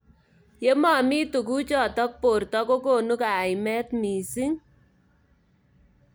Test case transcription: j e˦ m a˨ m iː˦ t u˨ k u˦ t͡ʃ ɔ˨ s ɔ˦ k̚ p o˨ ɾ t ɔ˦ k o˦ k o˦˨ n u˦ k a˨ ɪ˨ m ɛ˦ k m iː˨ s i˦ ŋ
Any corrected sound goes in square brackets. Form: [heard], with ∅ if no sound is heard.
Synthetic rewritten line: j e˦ m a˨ m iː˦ t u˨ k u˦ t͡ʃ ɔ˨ [t] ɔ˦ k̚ p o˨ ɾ t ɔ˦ k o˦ k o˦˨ n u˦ k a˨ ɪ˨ m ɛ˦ [t] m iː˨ s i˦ ŋ